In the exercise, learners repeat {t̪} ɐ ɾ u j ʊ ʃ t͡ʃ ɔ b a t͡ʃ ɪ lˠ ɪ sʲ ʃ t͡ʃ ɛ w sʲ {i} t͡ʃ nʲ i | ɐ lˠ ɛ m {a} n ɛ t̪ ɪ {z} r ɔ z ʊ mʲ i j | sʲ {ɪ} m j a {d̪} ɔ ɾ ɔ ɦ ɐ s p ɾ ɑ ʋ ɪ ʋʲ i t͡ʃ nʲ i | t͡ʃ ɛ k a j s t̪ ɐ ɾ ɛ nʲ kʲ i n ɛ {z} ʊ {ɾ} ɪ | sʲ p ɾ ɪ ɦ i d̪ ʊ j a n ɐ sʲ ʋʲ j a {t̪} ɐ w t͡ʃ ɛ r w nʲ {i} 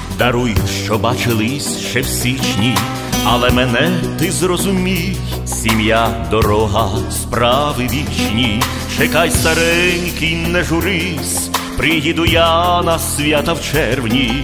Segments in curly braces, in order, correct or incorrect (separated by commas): incorrect, correct, incorrect, correct, incorrect, correct, incorrect, correct, correct, correct